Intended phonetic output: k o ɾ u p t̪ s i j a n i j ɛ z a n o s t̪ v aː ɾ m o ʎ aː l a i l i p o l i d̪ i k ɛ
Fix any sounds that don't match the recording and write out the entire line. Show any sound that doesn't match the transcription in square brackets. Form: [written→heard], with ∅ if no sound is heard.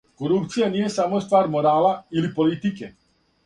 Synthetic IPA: k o ɾ u p t̪ s i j a n i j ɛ [z→s] a [n→m] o s t̪ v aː ɾ m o [ʎ→ɾ] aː l a i l i p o l i [d̪→t̪] i k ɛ